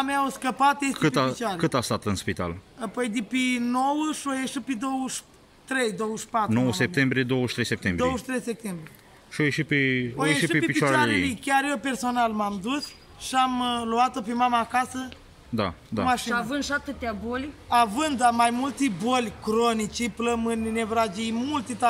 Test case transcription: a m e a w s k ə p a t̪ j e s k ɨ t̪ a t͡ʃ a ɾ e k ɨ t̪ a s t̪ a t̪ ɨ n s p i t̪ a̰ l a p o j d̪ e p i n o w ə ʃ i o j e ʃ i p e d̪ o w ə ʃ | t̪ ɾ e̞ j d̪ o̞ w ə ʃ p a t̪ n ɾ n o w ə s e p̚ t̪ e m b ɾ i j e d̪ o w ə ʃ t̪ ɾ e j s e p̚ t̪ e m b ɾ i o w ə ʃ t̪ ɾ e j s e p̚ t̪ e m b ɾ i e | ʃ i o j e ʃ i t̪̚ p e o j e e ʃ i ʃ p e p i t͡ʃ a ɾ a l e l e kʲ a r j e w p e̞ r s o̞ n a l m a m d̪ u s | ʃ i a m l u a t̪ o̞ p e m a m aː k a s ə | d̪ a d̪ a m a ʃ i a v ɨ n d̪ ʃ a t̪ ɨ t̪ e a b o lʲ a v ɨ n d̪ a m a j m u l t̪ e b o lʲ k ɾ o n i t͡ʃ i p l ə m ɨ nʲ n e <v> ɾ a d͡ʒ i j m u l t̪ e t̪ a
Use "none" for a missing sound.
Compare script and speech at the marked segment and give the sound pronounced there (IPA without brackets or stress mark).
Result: v